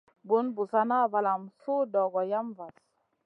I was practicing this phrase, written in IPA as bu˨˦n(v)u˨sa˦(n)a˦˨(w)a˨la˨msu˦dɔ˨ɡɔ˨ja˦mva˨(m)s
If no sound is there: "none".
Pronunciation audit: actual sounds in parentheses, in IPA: b, n, v, none

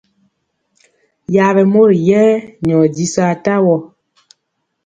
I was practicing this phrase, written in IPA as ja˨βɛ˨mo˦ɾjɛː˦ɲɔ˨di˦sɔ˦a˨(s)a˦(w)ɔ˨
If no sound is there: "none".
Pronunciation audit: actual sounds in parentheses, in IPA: t, w

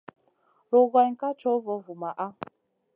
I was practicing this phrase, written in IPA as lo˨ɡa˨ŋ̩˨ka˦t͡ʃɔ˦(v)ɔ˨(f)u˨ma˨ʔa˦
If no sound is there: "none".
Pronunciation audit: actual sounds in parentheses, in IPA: v, v

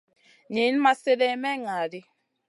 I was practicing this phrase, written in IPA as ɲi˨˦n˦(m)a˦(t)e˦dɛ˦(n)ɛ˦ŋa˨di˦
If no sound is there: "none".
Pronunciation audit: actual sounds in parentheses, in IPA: m, s, m

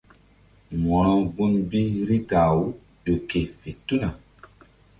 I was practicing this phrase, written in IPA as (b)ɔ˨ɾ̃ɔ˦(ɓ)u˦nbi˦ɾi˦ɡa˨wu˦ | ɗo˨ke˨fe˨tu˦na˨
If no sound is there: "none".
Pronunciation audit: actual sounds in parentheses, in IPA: m, b

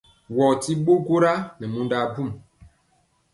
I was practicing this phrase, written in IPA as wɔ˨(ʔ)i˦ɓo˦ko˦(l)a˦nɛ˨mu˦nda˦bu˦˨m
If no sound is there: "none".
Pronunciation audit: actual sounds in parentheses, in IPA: t, ɾ

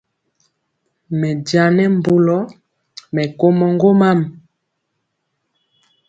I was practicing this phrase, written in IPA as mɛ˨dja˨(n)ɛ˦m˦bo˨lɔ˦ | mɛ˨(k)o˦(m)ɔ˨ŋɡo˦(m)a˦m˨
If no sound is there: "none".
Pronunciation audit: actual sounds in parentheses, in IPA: n, k, m, m

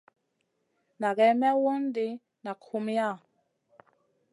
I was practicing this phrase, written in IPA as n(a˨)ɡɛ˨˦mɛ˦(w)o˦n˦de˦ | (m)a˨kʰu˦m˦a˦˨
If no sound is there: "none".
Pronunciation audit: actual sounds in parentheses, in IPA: a˨, w, n

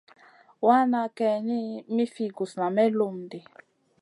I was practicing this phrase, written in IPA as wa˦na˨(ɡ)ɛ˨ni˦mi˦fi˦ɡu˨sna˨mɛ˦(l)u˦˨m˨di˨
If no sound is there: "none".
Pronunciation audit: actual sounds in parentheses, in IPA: k, l

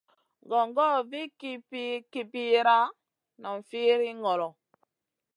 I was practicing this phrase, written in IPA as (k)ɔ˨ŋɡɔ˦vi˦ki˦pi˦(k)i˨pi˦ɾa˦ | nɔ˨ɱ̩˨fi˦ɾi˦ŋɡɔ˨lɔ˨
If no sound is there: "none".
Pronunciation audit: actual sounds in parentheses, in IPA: ɡ, k

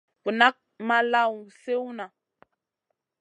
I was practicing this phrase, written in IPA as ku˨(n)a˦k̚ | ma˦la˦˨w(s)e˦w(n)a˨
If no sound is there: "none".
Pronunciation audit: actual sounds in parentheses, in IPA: n, s, n

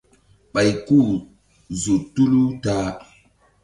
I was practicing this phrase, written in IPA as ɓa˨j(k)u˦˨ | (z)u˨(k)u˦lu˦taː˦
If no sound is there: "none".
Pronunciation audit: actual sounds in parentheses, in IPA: k, z, t

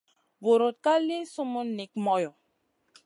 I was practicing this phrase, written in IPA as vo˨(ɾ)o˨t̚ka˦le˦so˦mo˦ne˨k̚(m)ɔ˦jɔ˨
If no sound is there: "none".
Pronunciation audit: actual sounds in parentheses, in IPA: ɾ, m

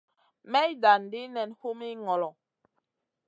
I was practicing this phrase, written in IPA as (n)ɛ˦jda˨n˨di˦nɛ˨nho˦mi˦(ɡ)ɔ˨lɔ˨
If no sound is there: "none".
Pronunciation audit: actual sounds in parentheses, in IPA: m, ŋ

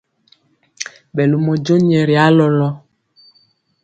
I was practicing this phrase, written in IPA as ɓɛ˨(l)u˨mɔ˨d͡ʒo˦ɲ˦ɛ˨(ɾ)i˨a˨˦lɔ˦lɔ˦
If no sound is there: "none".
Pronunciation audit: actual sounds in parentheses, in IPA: l, ɾ

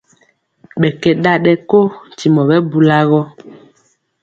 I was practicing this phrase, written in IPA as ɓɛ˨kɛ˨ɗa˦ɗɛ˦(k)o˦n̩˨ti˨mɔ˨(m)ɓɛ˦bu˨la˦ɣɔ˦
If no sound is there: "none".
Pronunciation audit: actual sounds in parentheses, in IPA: k, none

